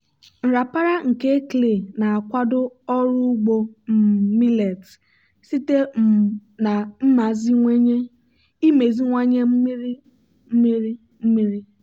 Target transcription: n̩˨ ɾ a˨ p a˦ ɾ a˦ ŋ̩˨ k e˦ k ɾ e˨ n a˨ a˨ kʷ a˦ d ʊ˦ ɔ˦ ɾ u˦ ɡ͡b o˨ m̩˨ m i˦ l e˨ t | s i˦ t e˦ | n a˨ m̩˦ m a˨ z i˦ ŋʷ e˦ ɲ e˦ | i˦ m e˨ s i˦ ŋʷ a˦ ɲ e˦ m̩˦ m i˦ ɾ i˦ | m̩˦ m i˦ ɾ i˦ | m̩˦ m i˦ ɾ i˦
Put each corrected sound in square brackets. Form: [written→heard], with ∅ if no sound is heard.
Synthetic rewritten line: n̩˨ ɾ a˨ p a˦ ɾ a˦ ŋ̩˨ k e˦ k [ɾ→l] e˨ n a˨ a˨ kʷ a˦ d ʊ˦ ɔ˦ ɾ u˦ ɡ͡b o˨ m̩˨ m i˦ l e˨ t | s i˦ t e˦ | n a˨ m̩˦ m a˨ z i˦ ŋʷ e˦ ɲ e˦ | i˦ m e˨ [s→z] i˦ ŋʷ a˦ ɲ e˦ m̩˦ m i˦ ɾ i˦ | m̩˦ m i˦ ɾ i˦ | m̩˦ m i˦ ɾ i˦